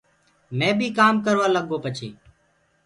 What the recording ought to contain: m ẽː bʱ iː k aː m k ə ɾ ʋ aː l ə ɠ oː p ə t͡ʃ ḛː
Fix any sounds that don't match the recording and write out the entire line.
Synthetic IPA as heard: m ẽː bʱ iː k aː m k ə ɾ ʋ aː l ə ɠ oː p ə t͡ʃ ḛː